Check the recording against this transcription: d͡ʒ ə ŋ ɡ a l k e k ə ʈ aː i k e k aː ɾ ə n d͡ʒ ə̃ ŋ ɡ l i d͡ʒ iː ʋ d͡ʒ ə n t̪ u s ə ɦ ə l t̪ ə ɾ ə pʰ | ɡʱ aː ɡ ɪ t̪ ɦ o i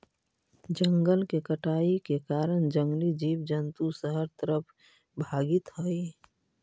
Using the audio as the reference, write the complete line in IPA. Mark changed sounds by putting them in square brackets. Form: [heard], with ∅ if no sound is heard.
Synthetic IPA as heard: d͡ʒ ə ŋ ɡ [ə] l k e k ə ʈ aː i k e k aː ɾ ə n d͡ʒ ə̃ ŋ ɡ l i d͡ʒ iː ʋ d͡ʒ ə n t̪ u s ə ɦ ə [ɾ] t̪ ə ɾ ə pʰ | [bʱ] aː ɡ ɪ t̪ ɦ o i